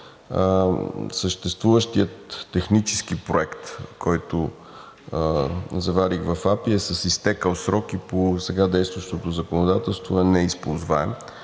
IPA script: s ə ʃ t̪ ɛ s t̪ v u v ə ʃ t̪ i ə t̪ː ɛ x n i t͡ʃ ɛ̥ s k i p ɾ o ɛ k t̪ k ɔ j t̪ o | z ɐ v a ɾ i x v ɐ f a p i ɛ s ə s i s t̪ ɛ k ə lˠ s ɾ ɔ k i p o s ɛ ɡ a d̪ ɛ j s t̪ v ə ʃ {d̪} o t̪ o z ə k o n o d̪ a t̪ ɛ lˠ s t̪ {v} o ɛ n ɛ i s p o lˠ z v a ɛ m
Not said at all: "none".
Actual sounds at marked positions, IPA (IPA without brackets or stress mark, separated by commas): t̪, v